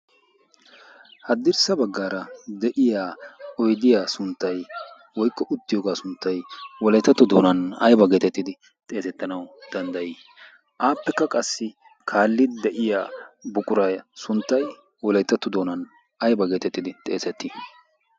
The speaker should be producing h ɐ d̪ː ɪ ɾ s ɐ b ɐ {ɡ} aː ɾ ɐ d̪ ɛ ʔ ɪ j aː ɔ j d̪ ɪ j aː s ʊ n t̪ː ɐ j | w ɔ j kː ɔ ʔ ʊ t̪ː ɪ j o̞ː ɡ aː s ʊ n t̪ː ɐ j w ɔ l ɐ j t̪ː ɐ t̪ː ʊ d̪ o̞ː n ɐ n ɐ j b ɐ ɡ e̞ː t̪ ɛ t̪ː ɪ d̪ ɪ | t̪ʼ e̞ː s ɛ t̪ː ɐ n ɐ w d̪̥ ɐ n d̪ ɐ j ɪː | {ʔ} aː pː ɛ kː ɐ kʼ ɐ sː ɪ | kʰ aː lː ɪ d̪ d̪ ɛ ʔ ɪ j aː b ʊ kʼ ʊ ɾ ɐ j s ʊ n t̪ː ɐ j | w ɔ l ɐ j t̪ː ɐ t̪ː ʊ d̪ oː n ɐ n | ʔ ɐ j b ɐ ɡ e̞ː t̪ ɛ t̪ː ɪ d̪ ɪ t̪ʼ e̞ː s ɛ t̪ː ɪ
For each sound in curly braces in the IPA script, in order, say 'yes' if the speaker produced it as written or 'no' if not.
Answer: no, yes

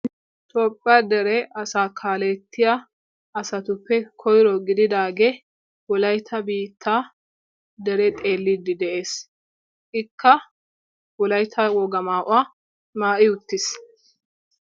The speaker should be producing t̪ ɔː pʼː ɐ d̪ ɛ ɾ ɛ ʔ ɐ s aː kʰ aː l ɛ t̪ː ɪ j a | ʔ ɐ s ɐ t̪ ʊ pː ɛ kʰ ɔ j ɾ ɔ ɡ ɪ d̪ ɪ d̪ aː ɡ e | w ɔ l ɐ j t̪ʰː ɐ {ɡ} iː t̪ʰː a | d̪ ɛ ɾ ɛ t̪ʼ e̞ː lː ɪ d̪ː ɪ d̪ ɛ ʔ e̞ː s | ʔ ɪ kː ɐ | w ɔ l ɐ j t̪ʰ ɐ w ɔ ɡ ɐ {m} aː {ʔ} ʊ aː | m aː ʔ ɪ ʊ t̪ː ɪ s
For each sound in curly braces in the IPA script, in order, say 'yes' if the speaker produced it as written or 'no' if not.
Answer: no, yes, yes

